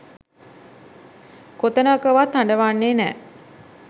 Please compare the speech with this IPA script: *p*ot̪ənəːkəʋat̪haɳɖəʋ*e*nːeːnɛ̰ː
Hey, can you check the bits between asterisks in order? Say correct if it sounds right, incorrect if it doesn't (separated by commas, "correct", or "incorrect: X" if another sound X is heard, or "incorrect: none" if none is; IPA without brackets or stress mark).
incorrect: k, incorrect: a